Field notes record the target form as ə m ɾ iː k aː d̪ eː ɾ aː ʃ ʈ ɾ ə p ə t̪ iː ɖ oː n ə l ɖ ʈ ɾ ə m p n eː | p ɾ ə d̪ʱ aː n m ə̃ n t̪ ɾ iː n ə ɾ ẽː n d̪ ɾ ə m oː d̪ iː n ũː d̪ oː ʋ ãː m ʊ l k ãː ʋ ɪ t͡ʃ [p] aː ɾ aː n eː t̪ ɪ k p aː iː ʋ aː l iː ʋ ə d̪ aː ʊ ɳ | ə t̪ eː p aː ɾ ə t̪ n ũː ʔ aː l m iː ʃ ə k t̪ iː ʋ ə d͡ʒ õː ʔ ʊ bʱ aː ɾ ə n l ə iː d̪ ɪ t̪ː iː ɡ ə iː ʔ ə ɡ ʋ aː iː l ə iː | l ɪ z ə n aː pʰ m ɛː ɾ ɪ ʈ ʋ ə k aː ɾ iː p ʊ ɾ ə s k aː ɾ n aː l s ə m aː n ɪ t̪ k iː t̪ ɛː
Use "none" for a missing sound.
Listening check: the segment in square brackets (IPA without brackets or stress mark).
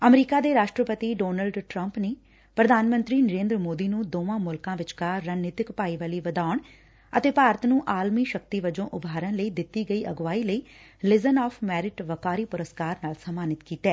k